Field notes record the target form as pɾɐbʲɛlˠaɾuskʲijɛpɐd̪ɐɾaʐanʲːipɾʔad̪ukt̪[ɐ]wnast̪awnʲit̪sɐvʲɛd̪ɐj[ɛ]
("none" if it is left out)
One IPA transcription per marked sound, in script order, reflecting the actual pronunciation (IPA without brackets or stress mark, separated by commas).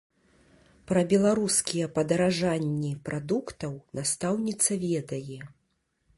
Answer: ɐ, ɛ